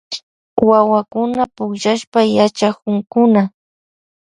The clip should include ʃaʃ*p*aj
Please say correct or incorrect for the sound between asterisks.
correct